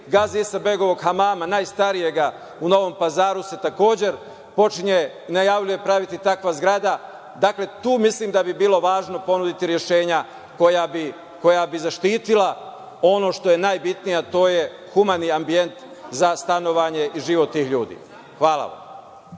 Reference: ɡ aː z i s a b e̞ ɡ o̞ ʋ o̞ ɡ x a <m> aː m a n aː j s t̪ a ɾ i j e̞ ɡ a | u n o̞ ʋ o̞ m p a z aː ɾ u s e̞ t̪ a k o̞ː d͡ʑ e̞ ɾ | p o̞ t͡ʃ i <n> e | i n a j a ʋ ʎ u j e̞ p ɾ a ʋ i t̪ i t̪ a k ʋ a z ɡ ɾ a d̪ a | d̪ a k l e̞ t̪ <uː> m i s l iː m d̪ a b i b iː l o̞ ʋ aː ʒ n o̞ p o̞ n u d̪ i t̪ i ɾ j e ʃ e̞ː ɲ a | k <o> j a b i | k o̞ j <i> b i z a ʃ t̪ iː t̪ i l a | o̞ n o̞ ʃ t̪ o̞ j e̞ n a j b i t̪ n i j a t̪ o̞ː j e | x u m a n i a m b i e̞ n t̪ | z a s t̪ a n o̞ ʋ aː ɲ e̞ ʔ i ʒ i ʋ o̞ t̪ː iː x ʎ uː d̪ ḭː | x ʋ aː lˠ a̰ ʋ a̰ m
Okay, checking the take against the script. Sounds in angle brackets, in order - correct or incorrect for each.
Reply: correct, incorrect, correct, correct, incorrect

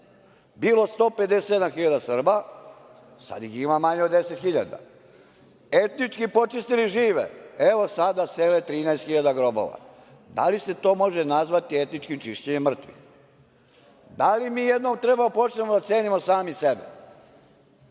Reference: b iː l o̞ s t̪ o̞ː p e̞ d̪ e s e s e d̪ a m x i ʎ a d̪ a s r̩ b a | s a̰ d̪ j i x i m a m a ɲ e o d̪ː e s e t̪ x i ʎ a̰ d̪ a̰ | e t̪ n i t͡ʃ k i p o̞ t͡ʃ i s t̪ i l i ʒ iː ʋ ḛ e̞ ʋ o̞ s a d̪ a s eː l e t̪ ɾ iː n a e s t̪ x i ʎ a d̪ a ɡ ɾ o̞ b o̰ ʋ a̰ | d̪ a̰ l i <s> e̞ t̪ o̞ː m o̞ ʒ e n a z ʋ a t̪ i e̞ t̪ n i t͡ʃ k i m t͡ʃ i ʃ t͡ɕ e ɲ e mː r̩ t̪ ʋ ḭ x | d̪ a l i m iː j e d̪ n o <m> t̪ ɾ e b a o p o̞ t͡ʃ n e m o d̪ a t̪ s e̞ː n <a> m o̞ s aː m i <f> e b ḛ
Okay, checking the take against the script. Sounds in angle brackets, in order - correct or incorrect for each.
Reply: correct, correct, incorrect, incorrect

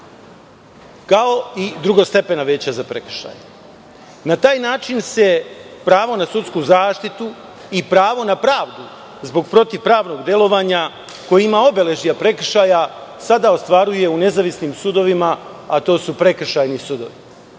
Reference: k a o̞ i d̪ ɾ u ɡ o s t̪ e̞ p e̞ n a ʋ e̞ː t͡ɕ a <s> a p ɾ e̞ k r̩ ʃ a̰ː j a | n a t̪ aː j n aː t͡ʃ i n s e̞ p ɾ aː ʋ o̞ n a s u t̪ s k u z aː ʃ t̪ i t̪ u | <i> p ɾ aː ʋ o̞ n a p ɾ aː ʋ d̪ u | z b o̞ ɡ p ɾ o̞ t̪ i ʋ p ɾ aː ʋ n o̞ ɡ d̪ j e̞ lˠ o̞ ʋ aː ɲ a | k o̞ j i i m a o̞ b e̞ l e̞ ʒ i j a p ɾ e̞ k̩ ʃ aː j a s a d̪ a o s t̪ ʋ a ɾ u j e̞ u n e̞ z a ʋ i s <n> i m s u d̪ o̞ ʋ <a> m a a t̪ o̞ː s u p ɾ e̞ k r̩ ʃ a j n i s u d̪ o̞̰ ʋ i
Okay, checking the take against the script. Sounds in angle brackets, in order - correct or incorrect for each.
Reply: incorrect, correct, correct, incorrect

